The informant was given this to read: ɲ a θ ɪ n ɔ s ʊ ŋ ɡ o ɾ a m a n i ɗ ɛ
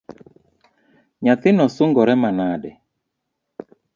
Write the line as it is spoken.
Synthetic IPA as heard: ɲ a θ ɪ n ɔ s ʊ ŋ ɡ ɔ ɾ ɛ m a n a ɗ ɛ